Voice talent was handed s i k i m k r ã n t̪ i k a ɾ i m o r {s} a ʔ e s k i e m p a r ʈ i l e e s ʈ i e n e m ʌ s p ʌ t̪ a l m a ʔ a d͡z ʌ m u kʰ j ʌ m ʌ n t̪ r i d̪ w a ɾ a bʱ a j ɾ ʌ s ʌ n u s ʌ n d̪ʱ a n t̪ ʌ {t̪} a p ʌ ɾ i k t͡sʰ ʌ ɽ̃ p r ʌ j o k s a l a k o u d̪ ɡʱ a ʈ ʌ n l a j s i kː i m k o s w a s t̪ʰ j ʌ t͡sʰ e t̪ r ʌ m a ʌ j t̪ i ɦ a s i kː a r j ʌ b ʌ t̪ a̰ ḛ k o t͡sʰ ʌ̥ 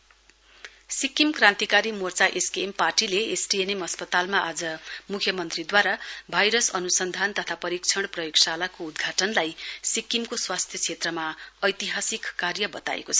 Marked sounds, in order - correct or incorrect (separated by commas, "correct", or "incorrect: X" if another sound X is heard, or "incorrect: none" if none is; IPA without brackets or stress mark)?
incorrect: t͡s, incorrect: t̪ʰ